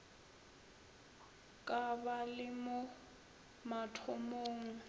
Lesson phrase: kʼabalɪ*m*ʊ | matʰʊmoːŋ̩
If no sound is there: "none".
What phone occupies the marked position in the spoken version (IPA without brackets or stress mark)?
m